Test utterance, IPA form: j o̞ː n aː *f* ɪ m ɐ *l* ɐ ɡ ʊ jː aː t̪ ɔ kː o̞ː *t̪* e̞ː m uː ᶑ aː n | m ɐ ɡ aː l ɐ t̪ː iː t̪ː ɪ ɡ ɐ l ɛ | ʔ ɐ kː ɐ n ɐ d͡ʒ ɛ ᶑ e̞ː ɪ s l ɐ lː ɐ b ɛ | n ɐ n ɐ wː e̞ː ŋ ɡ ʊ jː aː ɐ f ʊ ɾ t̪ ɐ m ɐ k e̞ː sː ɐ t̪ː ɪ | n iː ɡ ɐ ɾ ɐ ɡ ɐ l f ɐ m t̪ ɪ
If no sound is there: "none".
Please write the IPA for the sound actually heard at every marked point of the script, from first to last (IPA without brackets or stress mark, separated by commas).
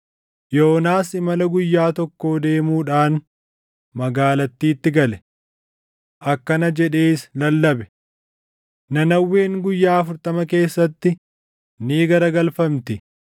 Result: s, l, d̪